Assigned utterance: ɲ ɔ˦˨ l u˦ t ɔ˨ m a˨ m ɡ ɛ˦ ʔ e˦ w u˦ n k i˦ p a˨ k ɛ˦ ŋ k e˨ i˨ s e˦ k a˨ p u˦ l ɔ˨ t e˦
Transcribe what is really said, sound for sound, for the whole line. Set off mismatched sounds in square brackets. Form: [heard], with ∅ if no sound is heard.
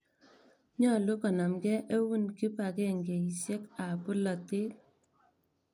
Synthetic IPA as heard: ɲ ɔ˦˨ l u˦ [k] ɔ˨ [n] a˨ m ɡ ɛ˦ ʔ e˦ w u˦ n k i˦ p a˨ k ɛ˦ ŋ [ɡ] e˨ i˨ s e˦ k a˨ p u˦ l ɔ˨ t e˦